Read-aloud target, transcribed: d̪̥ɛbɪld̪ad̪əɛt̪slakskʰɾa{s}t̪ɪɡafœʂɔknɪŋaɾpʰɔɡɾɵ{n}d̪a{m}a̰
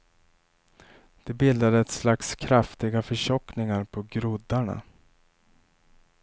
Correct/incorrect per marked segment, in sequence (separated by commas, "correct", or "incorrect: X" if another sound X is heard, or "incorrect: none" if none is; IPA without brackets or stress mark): incorrect: f, incorrect: none, incorrect: ɳ